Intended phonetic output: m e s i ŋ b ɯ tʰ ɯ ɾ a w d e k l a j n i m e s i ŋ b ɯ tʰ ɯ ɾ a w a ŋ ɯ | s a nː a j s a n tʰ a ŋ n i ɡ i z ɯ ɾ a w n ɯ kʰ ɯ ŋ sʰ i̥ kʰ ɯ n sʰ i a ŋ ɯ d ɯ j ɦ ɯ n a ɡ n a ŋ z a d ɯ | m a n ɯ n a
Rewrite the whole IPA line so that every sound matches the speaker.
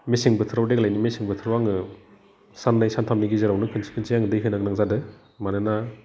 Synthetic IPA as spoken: m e s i ŋ b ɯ tʰ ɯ ɾ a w d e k l a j n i m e s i ŋ b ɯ tʰ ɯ ɾ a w a ŋ ɯ | s a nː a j s a n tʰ a m n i ɡ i z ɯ ɾ a w n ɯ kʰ ɯ n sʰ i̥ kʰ ɯ n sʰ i a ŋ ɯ d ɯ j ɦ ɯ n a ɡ n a ŋ z a d ɯ | m a n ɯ n a